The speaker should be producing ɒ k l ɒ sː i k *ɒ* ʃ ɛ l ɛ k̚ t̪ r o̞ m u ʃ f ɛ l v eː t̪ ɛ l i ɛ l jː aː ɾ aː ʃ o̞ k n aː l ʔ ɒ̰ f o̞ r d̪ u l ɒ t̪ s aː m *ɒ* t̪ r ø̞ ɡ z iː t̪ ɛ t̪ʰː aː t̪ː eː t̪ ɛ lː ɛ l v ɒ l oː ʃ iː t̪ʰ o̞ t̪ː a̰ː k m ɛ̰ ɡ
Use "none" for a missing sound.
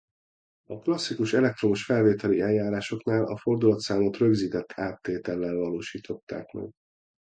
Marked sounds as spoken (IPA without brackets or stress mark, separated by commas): u, o